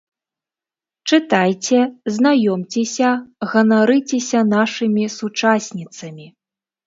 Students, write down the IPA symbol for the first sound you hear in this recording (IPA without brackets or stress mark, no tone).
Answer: t͡ʂ